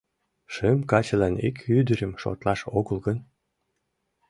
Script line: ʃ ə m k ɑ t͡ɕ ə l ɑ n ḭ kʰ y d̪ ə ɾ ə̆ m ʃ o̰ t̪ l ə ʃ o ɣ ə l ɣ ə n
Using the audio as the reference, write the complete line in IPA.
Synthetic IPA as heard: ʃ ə m k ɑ t͡ɕ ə l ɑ n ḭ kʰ y d̪ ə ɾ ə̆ m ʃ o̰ t̪ l ɑ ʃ o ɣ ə l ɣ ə n